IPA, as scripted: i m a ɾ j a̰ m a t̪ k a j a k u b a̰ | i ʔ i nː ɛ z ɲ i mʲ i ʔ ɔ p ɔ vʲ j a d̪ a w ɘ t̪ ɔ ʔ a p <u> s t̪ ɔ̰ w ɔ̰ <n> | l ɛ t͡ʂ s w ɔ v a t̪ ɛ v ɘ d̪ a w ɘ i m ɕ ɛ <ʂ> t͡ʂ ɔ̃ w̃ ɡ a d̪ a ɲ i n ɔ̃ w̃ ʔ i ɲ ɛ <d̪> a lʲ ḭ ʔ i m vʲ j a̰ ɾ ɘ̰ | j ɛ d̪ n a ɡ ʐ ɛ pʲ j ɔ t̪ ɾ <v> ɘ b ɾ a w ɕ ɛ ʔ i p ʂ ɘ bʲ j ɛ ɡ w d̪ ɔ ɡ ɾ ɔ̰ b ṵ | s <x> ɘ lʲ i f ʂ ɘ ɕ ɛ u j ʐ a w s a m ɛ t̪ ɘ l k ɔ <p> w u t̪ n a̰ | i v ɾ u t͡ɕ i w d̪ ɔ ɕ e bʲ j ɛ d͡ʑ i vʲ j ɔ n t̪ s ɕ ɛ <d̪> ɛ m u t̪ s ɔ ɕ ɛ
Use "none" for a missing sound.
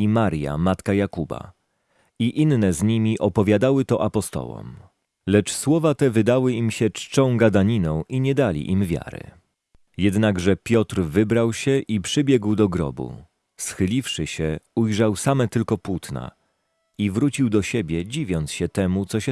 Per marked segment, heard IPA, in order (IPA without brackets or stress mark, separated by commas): ɔ, m, t͡ʂ, d̪, v, x, p, t̪